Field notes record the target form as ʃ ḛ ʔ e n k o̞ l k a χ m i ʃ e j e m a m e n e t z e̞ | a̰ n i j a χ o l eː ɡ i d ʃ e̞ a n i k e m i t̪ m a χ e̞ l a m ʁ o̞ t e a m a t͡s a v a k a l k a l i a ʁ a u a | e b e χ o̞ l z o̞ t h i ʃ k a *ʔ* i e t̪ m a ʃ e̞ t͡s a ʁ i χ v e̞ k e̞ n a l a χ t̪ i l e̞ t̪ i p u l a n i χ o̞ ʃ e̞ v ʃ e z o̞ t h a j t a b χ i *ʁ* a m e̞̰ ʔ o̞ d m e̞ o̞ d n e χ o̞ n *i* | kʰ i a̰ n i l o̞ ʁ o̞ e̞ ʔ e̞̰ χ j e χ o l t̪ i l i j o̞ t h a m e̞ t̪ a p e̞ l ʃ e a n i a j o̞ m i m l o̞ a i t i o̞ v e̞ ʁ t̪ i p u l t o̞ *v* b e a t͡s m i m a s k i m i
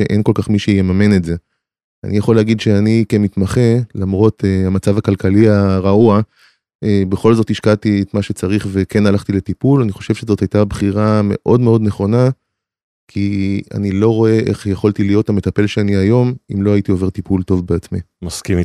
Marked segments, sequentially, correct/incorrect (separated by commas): incorrect, correct, incorrect, correct